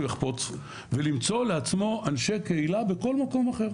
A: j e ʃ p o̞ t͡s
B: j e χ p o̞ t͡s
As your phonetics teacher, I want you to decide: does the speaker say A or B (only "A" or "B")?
B